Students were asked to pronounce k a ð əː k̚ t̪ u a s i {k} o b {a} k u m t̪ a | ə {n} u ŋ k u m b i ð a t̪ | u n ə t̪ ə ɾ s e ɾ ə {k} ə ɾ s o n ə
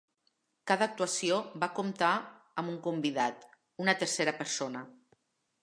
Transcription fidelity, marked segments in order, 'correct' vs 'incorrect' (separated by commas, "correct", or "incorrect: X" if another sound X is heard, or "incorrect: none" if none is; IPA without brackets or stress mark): incorrect: none, correct, incorrect: m, incorrect: p